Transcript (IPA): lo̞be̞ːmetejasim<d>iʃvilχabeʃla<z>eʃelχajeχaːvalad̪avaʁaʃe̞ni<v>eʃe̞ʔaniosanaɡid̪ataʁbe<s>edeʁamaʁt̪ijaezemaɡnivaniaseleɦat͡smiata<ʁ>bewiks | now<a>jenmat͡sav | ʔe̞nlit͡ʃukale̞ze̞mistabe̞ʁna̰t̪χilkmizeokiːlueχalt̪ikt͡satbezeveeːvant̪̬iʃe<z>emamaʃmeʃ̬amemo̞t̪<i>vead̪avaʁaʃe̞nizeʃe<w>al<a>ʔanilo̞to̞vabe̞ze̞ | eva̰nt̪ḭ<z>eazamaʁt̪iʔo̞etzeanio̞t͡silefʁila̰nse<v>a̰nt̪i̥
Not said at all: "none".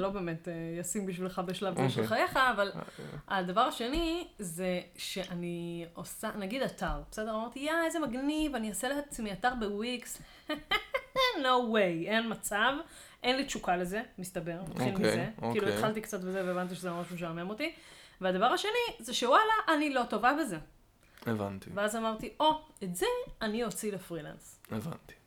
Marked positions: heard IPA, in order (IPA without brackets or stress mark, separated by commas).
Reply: b, v, z, s, ʁ, e, z, i, w, a, v, v